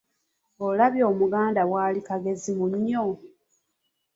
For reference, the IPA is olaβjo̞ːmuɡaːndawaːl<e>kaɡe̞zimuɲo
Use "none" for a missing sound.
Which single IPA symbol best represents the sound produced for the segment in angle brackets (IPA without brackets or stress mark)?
i